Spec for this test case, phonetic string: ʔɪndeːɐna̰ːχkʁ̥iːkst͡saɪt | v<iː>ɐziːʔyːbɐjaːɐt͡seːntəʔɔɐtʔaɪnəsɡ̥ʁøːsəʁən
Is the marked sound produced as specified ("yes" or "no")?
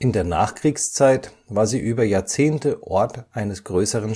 no